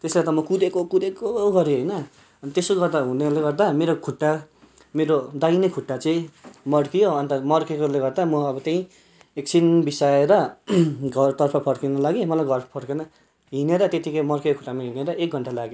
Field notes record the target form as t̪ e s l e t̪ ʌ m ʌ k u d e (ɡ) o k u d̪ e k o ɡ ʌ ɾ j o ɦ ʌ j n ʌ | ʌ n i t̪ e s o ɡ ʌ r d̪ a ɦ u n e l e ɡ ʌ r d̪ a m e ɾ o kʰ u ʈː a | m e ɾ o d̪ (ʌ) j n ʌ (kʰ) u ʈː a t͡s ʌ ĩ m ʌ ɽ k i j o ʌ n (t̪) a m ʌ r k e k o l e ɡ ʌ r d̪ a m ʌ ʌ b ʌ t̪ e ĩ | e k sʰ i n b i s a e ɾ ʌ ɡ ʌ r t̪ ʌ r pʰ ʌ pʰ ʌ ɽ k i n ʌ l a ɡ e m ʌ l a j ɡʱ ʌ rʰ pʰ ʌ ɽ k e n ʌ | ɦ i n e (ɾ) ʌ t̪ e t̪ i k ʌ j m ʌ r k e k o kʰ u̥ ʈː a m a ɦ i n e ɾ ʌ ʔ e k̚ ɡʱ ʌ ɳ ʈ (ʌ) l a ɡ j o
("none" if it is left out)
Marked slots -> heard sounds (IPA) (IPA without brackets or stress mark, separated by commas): k, a, kʰ, t̪, ɾ, a